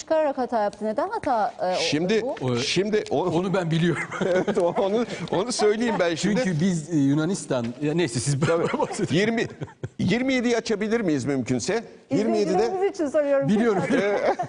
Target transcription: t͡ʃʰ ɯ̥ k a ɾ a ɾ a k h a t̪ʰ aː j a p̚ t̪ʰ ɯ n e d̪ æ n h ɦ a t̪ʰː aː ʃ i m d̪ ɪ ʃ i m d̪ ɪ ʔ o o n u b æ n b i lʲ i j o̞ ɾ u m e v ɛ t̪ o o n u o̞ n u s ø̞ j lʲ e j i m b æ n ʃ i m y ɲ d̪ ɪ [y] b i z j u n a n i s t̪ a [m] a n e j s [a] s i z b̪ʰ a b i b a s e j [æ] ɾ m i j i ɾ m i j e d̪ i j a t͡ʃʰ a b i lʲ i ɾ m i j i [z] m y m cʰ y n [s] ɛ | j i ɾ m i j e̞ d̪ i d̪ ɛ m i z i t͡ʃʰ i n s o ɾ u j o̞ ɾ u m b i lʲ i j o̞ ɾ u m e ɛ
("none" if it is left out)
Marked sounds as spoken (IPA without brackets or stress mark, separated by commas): y, n, ɛ, i, z, s